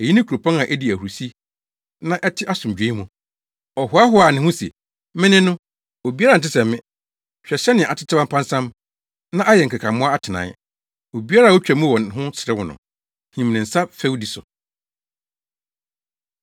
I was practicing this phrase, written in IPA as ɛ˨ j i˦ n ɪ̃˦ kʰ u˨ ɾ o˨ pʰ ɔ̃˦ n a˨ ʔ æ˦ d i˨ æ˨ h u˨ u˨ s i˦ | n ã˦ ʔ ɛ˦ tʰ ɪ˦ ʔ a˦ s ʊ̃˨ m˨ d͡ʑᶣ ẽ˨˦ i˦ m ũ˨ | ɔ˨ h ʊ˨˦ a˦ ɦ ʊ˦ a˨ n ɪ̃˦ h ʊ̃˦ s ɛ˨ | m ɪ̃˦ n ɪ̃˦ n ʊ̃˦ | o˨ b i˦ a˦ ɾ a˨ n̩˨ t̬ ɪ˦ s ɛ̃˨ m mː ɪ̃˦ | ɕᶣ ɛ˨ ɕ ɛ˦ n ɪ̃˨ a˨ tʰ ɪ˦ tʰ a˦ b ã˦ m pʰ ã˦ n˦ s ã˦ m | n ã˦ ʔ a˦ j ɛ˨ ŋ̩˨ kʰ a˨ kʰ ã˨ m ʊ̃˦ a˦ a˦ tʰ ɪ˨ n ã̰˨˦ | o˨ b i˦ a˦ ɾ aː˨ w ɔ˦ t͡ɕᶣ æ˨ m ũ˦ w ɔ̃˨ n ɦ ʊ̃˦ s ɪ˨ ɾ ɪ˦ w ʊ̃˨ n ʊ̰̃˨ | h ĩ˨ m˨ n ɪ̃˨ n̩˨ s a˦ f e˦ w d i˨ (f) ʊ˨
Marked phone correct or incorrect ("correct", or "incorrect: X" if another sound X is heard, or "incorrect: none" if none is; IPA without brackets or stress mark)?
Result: incorrect: s